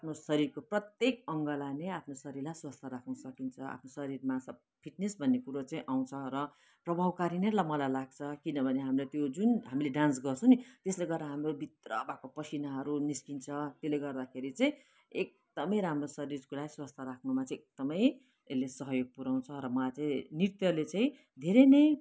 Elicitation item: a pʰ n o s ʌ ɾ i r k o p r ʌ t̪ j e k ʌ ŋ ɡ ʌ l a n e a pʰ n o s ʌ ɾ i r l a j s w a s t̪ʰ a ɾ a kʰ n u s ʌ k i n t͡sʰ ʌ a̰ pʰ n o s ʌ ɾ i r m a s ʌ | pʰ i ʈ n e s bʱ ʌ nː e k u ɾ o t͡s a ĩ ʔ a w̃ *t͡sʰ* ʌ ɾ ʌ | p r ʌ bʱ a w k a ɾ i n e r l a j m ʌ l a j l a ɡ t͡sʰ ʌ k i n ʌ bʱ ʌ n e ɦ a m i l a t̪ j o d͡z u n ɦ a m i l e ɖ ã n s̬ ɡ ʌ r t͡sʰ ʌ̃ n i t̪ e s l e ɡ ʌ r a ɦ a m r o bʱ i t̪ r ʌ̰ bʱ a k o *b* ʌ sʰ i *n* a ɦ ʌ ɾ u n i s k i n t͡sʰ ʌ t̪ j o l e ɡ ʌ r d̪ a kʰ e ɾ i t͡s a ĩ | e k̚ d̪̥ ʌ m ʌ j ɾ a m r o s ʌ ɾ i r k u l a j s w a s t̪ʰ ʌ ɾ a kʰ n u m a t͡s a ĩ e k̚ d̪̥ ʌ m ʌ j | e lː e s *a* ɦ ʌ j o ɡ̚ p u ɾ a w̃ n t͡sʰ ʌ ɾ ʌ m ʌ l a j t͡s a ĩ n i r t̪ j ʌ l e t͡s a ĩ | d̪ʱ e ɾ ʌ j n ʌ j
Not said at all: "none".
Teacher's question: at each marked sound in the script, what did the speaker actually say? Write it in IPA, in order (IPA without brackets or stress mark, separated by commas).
t͡sʰ, p, n, ʌ